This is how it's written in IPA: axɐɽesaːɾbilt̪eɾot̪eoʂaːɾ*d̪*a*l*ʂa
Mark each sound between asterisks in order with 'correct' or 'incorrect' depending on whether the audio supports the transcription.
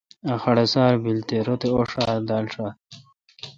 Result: correct, correct

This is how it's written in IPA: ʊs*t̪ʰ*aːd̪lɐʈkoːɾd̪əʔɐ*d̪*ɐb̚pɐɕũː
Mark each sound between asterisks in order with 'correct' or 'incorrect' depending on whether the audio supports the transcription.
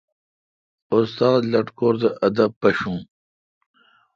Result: incorrect: t̪, correct

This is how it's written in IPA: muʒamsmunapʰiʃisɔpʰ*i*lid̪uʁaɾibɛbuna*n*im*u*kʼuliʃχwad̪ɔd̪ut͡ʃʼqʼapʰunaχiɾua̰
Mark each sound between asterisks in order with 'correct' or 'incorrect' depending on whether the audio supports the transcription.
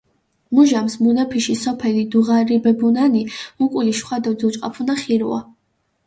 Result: incorrect: ɛ, correct, correct

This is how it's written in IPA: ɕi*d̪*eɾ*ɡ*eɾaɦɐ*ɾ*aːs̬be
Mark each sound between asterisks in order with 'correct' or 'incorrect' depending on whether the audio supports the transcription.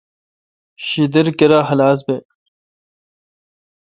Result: correct, incorrect: k, incorrect: l

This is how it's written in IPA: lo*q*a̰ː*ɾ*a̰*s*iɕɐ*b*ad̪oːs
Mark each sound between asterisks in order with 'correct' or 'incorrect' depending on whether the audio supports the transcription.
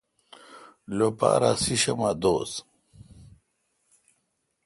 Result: incorrect: p, correct, correct, incorrect: m

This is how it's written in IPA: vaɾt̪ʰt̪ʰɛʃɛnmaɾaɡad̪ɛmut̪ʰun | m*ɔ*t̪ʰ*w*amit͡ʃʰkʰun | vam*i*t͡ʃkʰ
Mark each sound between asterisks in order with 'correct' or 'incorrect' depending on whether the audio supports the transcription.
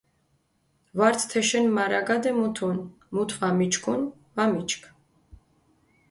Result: incorrect: u, incorrect: v, correct

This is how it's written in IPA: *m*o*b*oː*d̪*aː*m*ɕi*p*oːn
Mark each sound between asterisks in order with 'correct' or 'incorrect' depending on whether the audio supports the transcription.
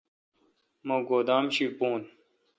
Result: correct, incorrect: ɡ, correct, correct, correct

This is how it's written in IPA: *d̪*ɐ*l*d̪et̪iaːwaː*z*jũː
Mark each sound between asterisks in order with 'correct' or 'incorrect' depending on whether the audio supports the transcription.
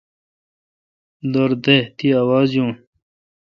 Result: correct, incorrect: ɾ, correct

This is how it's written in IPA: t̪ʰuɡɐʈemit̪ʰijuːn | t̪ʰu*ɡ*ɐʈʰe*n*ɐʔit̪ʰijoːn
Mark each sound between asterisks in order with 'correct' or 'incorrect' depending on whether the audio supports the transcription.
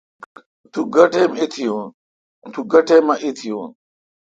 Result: correct, incorrect: m

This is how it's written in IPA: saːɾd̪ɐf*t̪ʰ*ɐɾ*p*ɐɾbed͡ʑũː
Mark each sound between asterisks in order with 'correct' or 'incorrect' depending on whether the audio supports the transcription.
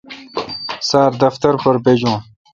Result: incorrect: t̪, correct

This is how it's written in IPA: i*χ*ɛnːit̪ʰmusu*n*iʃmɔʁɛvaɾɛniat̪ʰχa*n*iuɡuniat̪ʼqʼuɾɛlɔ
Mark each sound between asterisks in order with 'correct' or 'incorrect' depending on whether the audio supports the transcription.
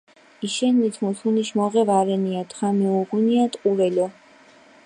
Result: incorrect: ʃ, correct, incorrect: m

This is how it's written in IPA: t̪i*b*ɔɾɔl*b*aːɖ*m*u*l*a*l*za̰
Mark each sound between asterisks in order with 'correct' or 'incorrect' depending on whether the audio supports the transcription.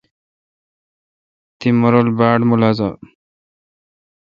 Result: incorrect: m, correct, correct, correct, incorrect: none

